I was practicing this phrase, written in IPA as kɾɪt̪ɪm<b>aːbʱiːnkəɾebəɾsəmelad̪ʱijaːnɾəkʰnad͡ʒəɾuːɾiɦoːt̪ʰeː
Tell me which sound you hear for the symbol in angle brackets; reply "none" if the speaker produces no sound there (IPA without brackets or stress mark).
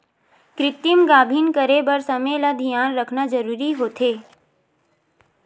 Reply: ɡ